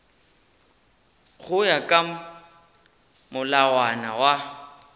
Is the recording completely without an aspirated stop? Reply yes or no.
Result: yes